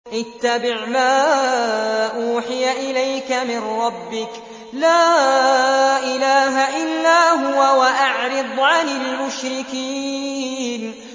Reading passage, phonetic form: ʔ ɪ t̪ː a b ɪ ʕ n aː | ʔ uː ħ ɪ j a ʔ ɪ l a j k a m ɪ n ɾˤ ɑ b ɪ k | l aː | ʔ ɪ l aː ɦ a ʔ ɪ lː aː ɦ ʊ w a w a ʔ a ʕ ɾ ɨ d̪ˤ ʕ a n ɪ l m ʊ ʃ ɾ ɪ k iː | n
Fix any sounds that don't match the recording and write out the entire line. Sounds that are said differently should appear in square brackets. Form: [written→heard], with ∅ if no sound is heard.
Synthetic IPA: ʔ ɪ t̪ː a b ɪ ʕ [n→m] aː | ʔ uː ħ ɪ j a ʔ ɪ l a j k a m ɪ n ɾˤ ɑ [b→bː] ɪ k | l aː | ʔ ɪ l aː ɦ a ʔ ɪ lː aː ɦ ʊ w a w a ʔ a ʕ ɾ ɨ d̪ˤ ʕ a n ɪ l m ʊ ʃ ɾ ɪ k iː | n